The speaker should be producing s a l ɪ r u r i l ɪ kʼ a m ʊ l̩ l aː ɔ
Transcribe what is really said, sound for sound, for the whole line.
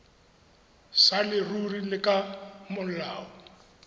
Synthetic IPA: s a l ɪ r u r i l ɪ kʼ a m ʊ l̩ l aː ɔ